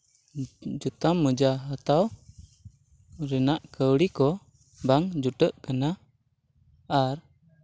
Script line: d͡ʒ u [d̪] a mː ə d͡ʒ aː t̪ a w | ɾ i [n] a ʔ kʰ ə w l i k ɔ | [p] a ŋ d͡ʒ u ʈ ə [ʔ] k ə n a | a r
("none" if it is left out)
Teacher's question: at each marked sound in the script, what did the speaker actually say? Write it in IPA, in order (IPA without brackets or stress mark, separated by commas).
t̪, n, b, ʔ